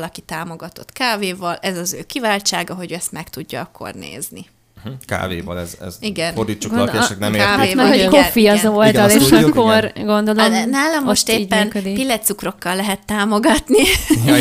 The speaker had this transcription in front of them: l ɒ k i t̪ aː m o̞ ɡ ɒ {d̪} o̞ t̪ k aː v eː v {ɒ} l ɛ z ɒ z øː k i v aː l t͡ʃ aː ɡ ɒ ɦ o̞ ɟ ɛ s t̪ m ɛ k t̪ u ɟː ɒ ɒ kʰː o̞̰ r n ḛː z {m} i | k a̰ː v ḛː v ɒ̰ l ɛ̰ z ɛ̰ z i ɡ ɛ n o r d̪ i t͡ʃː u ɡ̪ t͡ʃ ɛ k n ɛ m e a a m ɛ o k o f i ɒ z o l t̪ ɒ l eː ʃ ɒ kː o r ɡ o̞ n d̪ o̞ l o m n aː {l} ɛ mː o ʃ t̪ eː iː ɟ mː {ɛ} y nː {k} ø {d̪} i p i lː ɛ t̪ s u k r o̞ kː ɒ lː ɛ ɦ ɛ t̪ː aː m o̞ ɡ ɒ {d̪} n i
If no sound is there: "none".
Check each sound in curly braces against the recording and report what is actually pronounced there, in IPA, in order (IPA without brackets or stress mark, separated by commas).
t̪, ɒ, n, l, ɛ, k, d̪, t̪